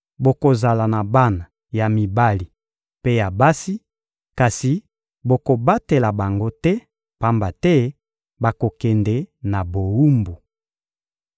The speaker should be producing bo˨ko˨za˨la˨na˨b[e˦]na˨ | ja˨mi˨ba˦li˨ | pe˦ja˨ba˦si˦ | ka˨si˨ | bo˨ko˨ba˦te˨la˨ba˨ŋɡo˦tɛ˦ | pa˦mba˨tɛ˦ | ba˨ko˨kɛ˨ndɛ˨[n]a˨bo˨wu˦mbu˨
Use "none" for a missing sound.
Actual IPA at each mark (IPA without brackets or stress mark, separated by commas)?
a˦, n